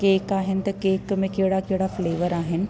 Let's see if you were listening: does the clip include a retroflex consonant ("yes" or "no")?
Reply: yes